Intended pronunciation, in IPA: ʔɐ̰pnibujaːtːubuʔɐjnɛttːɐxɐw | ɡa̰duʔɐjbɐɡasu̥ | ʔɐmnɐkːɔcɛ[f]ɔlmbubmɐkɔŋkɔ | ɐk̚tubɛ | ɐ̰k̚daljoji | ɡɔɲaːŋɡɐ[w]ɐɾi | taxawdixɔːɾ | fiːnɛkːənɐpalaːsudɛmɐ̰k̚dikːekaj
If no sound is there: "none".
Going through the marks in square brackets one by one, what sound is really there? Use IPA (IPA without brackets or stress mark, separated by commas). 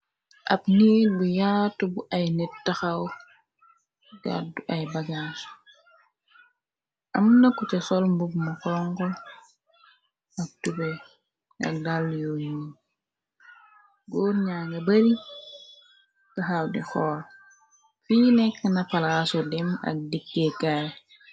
s, b